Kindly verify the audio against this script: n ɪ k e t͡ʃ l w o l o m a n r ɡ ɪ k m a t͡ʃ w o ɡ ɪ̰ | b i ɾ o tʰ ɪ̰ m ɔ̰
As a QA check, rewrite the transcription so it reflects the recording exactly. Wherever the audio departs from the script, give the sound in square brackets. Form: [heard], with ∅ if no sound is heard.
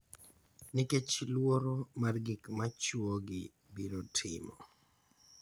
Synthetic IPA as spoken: n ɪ k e t͡ʃ l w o [ɾ] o m a [∅] r ɡ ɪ k m a t͡ʃ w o ɡ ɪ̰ | b i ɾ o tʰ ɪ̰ m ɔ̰